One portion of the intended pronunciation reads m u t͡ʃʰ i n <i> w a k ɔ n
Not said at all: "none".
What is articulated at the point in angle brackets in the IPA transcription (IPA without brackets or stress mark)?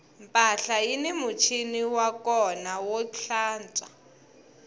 i